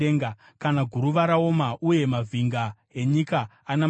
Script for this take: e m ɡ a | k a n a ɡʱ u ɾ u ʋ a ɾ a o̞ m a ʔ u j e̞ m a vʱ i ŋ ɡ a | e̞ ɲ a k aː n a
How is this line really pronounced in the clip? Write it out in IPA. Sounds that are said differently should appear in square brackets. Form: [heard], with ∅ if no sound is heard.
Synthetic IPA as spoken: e [ŋ] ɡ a | k a n a ɡʱ u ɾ u ʋ a ɾ a o̞ m a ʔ u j e̞ m a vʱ i ŋ ɡ a | e̞ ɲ [i] k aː n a